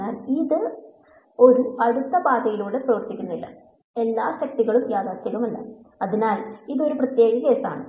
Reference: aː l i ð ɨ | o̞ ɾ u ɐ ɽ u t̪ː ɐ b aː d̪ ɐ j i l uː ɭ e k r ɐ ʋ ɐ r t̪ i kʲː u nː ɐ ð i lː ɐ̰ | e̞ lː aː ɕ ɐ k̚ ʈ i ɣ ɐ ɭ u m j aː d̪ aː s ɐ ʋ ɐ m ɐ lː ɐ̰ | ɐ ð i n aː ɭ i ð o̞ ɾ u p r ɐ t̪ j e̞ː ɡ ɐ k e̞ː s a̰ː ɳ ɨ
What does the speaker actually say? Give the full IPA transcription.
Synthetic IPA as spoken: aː l i ð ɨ | o̞ ɾ u ɐ ɽ u t̪ː ɐ b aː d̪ ɐ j i l uː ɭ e p r ɐ ʋ ɐ r t̪ i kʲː u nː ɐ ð i lː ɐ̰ | e̞ lː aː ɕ ɐ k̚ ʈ i ɣ ɐ ɭ u m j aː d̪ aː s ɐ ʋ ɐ m ɐ lː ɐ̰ | ɐ ð i n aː l i ð o̞ ɾ u p r ɐ t̪ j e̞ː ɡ ɐ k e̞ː s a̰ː ɳ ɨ